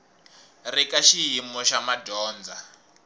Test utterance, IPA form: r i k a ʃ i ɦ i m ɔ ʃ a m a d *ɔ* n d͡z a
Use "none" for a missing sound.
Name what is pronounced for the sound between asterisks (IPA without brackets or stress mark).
ɔː